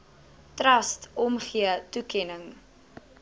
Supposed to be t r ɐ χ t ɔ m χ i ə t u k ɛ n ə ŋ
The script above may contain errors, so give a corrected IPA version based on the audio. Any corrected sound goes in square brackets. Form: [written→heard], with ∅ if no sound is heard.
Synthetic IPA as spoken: t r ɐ [χ→s] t ɔ m χ i ə t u k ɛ n ə ŋ